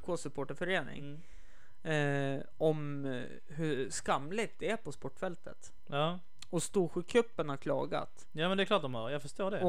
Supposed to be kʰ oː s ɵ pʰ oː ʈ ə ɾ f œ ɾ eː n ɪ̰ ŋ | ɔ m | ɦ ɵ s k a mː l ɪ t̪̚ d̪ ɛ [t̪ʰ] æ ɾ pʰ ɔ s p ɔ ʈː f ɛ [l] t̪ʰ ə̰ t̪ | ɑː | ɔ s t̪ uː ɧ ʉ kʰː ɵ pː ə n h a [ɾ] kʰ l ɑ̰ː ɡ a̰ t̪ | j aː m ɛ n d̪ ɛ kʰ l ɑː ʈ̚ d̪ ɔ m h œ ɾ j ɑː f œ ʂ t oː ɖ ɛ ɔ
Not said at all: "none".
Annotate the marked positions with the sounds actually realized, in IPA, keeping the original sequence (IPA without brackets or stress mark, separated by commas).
none, l, ɾ